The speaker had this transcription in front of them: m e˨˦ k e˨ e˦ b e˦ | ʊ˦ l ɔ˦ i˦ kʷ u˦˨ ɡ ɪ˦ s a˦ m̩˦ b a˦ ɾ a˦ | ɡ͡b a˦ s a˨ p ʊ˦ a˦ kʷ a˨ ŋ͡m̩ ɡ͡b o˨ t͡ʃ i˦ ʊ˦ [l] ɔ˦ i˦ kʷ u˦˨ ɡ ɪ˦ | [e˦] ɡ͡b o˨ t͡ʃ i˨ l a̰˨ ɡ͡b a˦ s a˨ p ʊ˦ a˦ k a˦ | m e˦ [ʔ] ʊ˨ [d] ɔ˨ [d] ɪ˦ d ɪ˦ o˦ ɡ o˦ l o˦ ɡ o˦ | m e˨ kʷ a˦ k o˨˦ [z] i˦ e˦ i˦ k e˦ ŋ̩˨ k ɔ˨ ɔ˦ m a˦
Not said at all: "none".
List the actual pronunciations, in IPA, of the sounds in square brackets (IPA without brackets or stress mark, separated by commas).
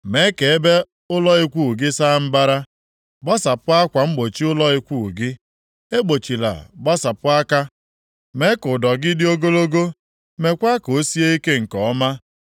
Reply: l, e˦, k, d, ɡ, s